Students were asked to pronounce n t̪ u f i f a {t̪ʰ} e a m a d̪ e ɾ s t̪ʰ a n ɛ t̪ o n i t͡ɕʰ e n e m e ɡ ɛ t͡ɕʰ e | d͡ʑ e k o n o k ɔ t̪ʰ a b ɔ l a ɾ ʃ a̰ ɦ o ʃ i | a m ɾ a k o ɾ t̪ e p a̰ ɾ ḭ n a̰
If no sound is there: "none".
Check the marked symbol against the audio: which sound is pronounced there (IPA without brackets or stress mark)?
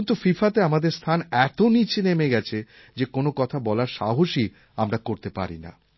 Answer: t̪